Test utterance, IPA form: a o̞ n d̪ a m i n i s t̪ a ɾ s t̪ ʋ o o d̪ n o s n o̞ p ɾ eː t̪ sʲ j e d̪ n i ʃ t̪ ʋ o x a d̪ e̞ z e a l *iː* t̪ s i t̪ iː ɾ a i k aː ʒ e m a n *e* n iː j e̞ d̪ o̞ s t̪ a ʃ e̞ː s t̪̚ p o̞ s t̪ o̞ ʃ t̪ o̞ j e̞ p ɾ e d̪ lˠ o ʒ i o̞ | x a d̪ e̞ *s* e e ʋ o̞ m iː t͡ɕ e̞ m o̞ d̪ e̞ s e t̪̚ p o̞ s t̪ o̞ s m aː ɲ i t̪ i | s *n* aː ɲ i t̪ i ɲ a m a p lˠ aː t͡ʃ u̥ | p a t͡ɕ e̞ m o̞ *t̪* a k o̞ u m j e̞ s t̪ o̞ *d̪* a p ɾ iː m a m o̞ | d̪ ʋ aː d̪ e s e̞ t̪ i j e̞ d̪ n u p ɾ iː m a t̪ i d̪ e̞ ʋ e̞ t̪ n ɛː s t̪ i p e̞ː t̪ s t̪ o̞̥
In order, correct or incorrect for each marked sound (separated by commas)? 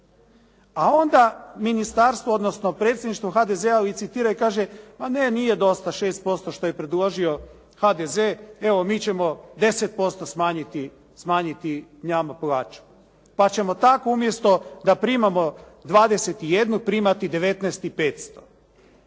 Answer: incorrect, correct, incorrect, incorrect, correct, correct